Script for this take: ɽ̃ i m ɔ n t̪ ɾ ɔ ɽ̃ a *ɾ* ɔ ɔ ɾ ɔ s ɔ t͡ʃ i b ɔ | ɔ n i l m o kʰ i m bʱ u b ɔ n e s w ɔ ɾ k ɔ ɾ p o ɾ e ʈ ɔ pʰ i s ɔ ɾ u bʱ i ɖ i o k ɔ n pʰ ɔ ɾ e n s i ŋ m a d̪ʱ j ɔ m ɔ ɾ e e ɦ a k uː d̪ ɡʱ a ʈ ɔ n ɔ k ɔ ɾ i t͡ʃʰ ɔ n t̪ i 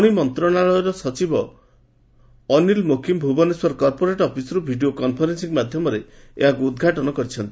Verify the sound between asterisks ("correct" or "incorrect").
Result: incorrect